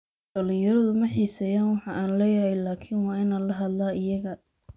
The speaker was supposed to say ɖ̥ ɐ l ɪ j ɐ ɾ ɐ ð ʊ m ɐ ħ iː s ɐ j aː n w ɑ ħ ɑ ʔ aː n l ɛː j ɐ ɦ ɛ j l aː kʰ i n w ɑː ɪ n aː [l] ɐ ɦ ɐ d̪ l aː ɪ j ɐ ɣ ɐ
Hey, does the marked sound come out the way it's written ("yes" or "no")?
yes